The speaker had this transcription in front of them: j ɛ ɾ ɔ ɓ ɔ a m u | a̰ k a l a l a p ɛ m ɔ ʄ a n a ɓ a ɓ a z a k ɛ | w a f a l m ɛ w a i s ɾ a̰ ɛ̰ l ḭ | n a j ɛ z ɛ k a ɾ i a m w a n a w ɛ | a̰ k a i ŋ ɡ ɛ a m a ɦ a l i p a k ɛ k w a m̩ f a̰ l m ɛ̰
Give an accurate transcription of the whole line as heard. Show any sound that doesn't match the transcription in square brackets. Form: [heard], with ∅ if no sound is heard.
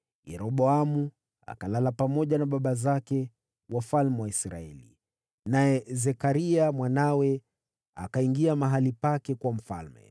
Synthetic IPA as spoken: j ɛ ɾ ɔ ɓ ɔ a m u | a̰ k a l a l a p [a] m ɔ ʄ a n a ɓ a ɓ a z a k ɛ | w a f a l m ɛ w a i s ɾ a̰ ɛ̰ l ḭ | n a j ɛ z ɛ k a ɾ i a m w a n a w ɛ | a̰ k a i ŋ ɡ [i] a m a ɦ a l i p a k ɛ k w a m̩ f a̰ l m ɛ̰